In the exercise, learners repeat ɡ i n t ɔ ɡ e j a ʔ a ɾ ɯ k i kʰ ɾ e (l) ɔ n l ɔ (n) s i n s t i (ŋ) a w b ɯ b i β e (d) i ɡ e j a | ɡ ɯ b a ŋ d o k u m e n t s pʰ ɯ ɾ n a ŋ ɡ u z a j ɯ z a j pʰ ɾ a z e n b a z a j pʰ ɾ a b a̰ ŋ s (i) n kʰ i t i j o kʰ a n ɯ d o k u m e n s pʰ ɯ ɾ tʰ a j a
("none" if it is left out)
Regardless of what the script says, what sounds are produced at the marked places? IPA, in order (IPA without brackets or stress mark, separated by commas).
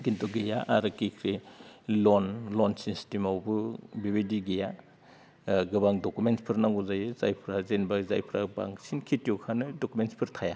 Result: l, n, m, d, i